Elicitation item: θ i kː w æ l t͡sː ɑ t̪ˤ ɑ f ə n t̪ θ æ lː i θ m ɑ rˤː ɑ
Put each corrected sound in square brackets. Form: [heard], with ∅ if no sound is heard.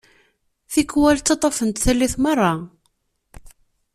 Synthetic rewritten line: θ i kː w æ l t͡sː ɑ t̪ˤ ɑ f ə n t̪ θ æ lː i θ m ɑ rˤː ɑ